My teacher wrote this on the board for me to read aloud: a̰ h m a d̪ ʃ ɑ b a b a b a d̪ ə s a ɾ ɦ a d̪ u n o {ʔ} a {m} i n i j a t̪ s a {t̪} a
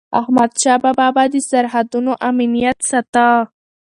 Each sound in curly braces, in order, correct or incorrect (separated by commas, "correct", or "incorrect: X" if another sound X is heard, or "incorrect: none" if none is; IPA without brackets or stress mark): correct, correct, correct